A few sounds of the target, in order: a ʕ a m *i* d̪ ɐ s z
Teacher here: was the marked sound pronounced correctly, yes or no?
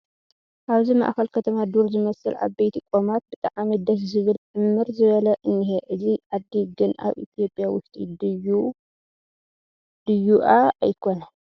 yes